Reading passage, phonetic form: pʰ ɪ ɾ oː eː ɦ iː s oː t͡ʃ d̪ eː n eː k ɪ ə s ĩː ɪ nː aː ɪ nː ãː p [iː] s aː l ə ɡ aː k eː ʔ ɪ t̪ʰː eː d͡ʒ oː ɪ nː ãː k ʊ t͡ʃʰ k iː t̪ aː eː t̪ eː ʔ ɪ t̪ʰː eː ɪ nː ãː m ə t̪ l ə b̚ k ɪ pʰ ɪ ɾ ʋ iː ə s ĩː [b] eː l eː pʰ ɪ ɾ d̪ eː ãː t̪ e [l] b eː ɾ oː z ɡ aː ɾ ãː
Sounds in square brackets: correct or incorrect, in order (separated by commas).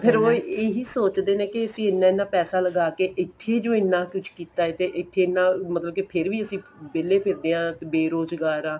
incorrect, correct, incorrect